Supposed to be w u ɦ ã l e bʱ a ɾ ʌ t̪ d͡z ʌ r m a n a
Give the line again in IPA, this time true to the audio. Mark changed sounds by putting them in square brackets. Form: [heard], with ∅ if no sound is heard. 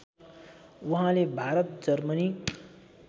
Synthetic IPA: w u ɦ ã l e bʱ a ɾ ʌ t̪ d͡z ʌ r m [ʌ] n [i]